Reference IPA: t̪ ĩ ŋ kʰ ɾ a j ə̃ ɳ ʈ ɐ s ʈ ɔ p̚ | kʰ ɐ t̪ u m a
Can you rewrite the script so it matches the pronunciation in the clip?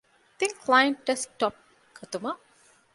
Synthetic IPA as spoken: t̪ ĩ ŋ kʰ l a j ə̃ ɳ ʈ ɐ s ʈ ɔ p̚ | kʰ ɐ t̪ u m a